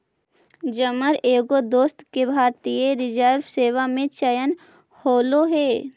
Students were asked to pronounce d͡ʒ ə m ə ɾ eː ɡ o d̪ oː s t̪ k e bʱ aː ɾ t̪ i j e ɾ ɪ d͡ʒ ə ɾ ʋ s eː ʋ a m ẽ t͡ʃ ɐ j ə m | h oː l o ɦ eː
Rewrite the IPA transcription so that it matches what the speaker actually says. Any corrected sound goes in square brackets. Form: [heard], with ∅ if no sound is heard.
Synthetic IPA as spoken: d͡ʒ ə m ə ɾ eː ɡ o d̪ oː s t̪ k e bʱ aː ɾ t̪ i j e ɾ ɪ d͡ʒ ə ɾ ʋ s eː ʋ a m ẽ t͡ʃ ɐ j ə [n] | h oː l o ɦ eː